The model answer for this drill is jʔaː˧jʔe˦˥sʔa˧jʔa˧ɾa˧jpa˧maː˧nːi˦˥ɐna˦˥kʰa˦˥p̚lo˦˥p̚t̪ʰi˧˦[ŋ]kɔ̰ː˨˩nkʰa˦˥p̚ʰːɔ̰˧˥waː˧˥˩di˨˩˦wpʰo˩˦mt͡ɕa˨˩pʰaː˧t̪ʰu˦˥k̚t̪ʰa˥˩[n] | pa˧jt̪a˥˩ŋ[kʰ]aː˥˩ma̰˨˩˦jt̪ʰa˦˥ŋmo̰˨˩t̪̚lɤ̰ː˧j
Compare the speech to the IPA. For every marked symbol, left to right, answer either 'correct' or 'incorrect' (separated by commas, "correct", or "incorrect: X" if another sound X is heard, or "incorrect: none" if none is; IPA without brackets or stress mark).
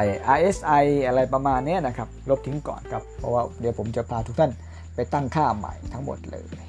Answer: correct, correct, correct